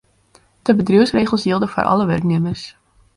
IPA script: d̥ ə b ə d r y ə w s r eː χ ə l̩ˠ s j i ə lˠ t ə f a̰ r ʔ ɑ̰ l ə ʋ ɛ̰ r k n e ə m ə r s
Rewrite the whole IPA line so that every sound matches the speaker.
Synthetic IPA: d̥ ə b ə d r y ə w s r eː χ ə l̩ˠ s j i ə lˠ d ə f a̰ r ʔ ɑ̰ l ə ʋ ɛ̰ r k n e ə m ə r s